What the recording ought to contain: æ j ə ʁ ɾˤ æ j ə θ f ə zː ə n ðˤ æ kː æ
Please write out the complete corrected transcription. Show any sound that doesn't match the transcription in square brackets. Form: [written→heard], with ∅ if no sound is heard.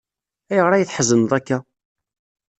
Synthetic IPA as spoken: æ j ə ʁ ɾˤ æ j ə θ [f→ħ] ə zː ə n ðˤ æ kː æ

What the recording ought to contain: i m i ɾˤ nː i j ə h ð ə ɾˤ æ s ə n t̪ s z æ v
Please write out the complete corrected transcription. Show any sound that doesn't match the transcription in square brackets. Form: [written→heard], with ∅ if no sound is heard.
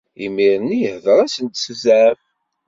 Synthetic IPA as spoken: i m i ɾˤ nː i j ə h ð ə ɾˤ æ s ə n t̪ s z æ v

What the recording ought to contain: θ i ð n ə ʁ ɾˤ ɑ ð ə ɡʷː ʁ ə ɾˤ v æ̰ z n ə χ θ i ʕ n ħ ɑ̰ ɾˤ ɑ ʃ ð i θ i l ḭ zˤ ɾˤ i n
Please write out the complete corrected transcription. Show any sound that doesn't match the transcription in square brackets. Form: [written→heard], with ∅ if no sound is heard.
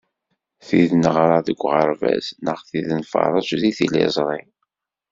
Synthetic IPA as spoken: θ i ð n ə ʁ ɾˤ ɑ ð ə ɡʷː ʁ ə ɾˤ v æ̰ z n ə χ θ i [ʕ→ð] n [ħ→f] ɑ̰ ɾˤ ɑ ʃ ð i θ i l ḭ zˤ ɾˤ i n

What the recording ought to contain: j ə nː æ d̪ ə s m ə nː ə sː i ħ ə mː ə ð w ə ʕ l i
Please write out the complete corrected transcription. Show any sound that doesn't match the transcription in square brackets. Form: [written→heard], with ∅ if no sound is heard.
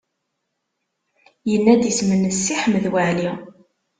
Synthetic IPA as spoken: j ə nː æ d̪ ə s m ə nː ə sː i ħ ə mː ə ð w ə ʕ l i

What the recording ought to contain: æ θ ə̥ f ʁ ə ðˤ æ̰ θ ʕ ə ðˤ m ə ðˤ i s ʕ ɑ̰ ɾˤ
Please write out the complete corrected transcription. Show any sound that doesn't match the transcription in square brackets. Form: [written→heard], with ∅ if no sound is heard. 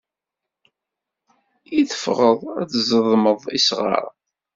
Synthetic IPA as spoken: [æ→i] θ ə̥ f ʁ ə ðˤ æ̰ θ [ʕ→z] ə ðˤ m ə ðˤ i s [ʕ→ʁ] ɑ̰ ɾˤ

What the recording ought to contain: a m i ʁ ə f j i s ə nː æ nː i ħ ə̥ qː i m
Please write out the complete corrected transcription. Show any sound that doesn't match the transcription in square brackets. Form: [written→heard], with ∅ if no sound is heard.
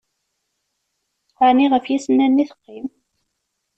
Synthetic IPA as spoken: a [m→n] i ʁ ə f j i s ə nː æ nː i [ħ→θ] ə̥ qː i m

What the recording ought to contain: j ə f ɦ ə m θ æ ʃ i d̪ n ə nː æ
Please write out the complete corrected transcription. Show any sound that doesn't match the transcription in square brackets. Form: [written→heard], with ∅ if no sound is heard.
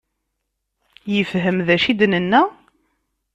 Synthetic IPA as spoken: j ə f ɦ ə m [θ→ð] æ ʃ i d̪ n ə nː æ

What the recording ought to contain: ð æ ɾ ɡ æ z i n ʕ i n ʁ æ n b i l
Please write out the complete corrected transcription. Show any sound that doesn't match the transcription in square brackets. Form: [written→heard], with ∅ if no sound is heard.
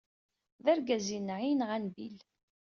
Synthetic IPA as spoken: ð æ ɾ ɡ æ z i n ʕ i n ʁ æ n b i l

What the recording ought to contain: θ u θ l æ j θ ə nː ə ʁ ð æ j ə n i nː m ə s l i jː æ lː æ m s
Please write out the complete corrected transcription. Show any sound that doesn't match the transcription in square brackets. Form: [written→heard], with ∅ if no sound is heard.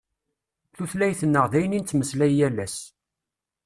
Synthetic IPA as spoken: θ u θ l æ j θ ə nː ə ʁ ð æ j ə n i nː m ə s l [i→æ] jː æ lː æ [m→∅] s

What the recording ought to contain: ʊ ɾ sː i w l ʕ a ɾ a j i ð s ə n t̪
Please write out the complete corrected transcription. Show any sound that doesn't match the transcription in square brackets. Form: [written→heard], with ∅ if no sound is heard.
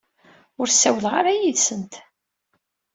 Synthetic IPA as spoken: ʊ ɾ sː [i→æ] w l [ʕ→ʁ] a ɾ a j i ð s ə n t̪

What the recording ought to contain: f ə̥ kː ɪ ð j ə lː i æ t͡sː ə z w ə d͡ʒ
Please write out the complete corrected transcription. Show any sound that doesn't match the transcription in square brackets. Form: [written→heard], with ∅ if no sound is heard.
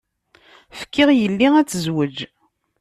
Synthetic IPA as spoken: f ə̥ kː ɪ [ð→ʁ] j ə lː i æ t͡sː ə z w ə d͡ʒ

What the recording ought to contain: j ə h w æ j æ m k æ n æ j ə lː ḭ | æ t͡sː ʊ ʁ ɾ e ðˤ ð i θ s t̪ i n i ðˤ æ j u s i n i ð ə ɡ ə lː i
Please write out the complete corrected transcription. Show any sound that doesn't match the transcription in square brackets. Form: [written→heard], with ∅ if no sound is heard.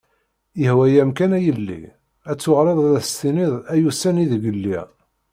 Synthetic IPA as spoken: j ə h w æ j æ m k æ n æ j ə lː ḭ | æ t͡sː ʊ ʁ ɾ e ðˤ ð [i→æ] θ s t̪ i n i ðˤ æ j u s [i→æ] n i ð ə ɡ ə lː i

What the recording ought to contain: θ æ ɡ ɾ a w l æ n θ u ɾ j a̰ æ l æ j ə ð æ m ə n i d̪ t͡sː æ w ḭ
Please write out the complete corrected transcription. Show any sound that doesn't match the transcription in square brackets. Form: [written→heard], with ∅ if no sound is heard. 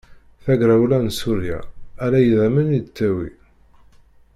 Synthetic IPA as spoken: θ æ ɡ ɾ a w l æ n [θ→s] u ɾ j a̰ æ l æ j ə ð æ m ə n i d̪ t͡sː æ w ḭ

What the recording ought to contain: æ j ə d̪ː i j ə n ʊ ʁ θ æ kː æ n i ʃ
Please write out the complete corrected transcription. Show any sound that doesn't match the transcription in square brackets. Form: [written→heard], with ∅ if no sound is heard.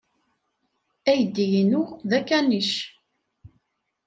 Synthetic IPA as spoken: æ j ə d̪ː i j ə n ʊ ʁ [θ→ð] æ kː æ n i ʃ

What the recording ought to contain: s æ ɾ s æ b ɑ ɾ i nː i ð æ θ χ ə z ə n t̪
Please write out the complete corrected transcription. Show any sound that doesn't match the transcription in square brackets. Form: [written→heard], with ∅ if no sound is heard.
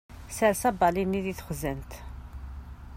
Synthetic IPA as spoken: s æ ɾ s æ b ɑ [ɾ→l] i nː i ð [æ→i] θ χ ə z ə n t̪

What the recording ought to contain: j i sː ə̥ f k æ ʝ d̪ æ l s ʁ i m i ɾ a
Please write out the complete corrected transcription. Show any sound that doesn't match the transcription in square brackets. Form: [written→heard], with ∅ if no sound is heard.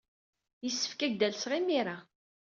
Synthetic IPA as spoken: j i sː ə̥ f k æ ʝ d̪ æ l s ʁ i m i ɾ a

